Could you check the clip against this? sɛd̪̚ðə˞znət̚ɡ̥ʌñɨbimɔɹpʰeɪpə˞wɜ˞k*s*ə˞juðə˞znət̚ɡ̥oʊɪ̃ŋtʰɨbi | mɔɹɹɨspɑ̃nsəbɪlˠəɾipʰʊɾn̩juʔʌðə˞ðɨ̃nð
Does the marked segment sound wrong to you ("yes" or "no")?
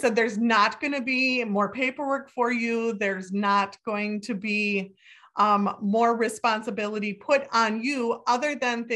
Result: yes